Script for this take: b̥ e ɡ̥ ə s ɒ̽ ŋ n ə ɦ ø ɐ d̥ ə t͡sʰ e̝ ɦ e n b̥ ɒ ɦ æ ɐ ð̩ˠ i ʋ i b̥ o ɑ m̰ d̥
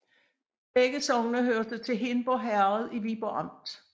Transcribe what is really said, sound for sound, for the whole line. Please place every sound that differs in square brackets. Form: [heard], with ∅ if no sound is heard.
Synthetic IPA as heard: b̥ e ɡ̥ ə s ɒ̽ ŋ n ə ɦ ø ɐ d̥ ə t͡sʰ e̝ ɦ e n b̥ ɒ ɦ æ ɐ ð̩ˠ i ʋ i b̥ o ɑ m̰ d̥